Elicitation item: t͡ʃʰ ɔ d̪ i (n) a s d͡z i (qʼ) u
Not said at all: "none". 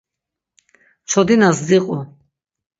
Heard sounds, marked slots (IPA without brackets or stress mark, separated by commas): n, qʼ